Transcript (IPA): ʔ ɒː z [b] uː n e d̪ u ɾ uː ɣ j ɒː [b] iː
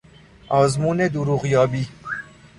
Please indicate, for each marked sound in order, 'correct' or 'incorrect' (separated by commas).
incorrect, correct